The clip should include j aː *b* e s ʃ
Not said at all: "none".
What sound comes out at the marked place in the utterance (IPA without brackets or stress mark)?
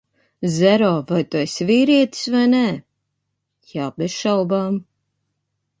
b